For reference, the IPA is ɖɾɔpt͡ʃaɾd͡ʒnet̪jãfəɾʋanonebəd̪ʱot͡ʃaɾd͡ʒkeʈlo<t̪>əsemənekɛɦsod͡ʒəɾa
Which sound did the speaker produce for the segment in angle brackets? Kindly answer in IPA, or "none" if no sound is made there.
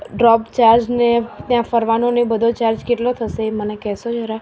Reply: t̪ʰ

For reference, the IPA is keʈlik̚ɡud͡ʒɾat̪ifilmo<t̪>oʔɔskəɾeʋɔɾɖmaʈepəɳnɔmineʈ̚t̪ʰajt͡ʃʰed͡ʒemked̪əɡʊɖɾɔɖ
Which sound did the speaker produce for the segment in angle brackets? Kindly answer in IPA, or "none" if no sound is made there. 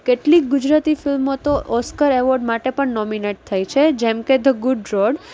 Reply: t̪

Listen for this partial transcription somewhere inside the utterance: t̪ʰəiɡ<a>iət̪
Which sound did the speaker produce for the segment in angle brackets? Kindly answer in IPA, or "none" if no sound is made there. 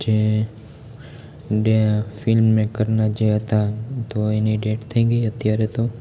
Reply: ə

